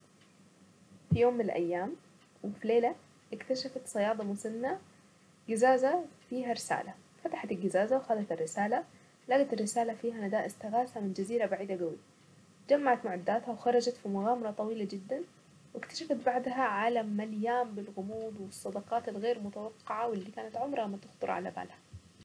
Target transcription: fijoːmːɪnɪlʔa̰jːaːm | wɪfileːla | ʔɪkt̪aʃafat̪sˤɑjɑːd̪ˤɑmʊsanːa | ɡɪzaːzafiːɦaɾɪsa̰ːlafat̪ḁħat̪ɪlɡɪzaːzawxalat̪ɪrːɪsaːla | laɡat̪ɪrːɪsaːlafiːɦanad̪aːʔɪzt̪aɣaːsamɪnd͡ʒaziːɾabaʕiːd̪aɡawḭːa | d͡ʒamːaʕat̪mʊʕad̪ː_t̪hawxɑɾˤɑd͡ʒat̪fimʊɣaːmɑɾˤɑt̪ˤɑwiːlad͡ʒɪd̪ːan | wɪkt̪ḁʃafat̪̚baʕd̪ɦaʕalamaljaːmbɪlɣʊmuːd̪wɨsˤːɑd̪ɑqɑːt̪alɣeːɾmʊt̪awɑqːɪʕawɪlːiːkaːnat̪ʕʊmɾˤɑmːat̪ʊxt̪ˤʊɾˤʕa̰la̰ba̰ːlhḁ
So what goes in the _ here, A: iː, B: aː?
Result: B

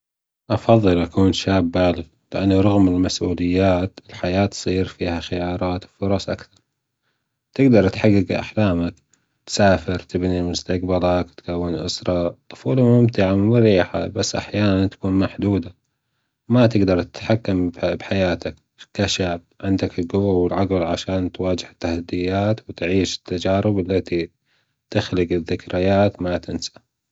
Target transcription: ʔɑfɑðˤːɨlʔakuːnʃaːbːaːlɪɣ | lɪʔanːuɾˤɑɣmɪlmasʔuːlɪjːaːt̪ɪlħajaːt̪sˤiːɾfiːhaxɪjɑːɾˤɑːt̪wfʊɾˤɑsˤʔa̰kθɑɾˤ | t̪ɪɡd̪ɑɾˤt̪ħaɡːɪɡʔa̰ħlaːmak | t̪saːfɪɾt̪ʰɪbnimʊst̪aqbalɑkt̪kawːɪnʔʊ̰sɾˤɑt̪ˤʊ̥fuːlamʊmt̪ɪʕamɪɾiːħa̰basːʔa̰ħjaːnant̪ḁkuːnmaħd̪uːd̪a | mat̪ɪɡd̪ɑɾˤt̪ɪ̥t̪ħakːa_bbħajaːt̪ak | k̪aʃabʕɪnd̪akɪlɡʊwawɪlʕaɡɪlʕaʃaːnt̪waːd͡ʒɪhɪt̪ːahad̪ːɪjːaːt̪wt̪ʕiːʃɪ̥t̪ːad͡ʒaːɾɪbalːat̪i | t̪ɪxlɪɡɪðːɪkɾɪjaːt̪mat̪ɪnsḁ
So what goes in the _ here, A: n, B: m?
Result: B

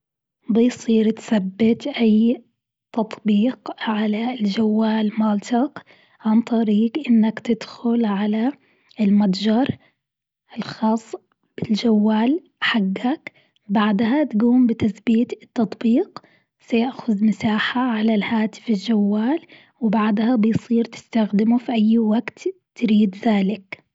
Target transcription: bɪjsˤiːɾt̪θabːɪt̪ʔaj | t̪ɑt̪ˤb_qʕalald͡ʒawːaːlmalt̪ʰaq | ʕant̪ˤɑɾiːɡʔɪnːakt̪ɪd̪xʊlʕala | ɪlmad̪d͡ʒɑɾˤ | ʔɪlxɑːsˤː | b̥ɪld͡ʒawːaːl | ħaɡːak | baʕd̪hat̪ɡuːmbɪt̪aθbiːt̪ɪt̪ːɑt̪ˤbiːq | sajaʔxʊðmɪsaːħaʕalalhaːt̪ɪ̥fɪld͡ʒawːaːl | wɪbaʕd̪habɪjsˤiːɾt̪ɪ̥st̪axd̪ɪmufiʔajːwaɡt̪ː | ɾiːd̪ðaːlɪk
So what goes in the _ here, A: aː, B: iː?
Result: B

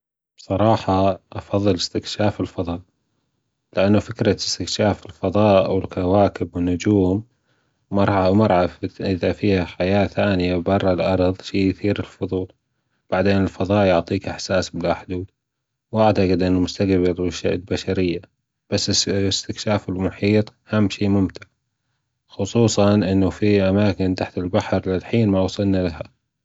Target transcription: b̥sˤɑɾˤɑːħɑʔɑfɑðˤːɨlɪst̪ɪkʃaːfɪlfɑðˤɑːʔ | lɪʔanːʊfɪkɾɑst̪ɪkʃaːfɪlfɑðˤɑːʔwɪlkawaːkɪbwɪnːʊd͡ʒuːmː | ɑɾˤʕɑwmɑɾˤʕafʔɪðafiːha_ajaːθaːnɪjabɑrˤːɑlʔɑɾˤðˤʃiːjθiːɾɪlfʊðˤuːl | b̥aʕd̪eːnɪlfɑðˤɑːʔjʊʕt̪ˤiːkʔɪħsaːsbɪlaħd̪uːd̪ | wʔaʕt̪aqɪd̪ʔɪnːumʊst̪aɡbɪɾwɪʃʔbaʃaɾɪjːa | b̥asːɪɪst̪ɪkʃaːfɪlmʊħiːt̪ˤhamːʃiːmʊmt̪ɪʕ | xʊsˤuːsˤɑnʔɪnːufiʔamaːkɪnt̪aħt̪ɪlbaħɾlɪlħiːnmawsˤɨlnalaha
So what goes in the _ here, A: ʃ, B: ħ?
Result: B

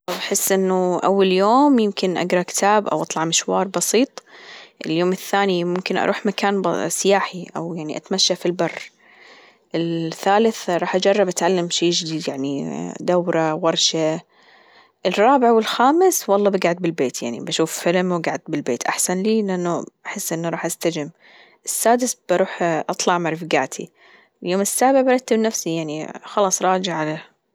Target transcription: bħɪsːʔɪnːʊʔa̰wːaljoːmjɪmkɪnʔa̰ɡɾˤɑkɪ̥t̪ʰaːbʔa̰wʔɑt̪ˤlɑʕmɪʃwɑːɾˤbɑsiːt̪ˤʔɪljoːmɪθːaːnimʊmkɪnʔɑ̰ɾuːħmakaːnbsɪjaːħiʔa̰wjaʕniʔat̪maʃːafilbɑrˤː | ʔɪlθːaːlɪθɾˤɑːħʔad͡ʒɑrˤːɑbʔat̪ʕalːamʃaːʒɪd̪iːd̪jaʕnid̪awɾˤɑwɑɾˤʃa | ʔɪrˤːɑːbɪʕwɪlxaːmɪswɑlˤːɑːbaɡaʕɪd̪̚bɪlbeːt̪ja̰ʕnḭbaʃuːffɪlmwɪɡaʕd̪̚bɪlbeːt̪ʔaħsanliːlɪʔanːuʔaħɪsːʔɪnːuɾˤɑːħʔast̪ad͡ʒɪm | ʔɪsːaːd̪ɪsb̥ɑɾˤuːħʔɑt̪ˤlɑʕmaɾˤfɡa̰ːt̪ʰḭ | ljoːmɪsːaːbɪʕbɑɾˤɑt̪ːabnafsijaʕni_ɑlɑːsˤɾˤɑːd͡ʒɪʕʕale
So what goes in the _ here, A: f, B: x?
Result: B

